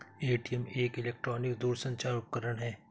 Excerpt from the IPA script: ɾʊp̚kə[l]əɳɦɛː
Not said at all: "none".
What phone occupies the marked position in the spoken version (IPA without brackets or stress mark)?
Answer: ɾ